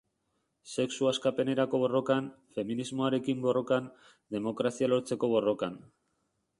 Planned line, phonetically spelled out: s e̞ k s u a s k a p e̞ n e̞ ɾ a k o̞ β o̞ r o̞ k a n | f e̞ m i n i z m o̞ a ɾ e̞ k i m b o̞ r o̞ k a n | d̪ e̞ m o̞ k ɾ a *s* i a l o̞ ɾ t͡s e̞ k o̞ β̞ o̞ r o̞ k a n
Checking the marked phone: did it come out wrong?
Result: no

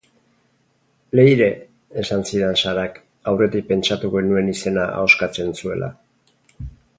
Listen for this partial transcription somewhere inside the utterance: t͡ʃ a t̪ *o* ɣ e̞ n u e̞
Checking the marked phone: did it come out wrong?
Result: yes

